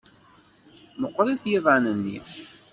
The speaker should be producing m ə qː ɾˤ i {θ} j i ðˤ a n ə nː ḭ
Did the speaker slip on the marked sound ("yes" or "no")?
no